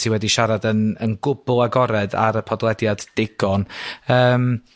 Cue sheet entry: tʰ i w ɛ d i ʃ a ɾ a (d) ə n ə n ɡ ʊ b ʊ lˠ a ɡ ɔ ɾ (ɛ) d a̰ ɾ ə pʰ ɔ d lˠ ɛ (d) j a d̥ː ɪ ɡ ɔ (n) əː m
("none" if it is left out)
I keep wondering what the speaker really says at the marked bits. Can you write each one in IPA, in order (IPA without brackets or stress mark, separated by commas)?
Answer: d, ɛ, d, n